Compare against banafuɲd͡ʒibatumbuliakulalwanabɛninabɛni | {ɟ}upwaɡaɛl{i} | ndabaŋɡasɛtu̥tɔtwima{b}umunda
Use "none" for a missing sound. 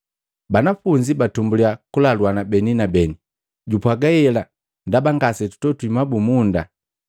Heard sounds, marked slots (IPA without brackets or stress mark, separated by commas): ɟ, a, b